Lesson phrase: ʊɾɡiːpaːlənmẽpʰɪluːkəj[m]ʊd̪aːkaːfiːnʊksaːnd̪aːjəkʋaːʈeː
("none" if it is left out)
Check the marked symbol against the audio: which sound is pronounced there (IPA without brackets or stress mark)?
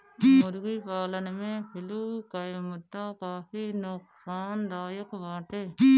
m